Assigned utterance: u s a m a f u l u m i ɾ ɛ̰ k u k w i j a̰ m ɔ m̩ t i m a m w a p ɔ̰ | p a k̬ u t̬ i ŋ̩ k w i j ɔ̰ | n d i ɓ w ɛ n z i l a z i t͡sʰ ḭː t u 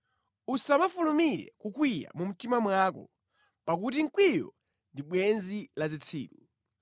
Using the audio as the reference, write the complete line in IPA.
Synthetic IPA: u s a m a f u l u m i ɾ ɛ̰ k u k w i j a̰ m u m̩ t i m a m w a k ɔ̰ | p a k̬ u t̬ i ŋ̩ k w i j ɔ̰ | n d i ɓ w ɛ n z i l a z i t͡sʰ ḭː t u